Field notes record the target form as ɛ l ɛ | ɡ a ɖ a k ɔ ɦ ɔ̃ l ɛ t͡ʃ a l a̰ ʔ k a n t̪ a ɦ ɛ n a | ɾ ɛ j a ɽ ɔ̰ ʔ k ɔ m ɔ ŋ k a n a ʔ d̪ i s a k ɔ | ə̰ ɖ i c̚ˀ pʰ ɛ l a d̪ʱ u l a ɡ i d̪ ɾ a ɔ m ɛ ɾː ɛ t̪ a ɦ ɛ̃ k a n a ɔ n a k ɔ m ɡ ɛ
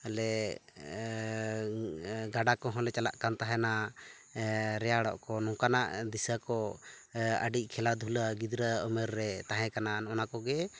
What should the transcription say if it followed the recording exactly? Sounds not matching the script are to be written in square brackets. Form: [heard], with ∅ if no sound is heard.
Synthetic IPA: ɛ l ɛ | ɡ a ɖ a k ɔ ɦ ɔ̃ l ɛ t͡ʃ a l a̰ ʔ k a n t̪ a ɦ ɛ n a | ɾ ɛ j a ɽ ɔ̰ ʔ k ɔ [n] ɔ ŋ k a n a ʔ d̪ i s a k ɔ | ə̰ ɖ i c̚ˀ [kʰ] ɛ l a d̪ʱ u l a ɡ i d̪ ɾ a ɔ m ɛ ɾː ɛ t̪ a ɦ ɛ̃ k a n a ɔ n a k ɔ [∅] ɡ ɛ

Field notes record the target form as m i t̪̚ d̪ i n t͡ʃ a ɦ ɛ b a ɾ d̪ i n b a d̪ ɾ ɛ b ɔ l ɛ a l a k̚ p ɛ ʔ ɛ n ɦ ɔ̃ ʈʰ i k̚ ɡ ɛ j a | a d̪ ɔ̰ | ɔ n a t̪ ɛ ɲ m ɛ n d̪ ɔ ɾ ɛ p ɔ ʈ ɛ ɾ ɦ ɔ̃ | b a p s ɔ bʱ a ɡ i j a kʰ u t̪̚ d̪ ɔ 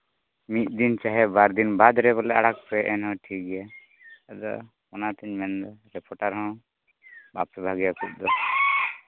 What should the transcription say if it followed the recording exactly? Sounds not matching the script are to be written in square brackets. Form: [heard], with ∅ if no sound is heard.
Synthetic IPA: m i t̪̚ d̪ i n t͡ʃ a ɦ ɛ b a ɾ d̪ i n b a d̪ ɾ ɛ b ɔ l ɛ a [ɽ] a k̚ p ɛ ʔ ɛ n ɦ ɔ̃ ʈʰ i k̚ ɡ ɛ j a | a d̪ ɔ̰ | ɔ n a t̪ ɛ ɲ m ɛ n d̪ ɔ ɾ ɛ p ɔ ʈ [a] ɾ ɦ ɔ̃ | b a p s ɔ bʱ a ɡ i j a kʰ u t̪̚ d̪ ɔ

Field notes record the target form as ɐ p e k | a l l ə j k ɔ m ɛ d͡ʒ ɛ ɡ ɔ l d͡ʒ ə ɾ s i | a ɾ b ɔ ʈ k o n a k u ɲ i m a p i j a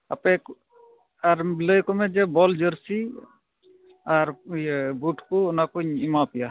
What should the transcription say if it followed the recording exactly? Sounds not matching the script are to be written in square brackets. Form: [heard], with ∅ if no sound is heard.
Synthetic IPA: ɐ p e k | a [ɾ] l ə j k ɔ m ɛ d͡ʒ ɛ [b] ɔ l d͡ʒ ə ɾ s i | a ɾ b [u] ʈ k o n a k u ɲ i m a p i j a

